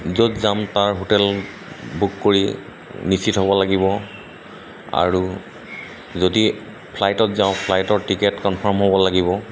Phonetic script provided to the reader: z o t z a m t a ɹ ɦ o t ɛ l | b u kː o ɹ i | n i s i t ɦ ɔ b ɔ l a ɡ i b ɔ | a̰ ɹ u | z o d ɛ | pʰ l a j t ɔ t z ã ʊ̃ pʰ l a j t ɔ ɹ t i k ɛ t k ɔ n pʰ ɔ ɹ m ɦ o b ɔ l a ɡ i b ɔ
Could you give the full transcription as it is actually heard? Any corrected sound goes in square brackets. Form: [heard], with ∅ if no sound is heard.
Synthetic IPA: z o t z a m t a ɹ ɦ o t ɛ l | b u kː o ɹ i | n i s i t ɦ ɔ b ɔ l a ɡ i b ɔ | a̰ ɹ u | z o d [i] | pʰ l a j t ɔ t z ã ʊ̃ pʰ l a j t ɔ ɹ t i k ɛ t k ɔ n pʰ ɔ ɹ m ɦ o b ɔ l a ɡ i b ɔ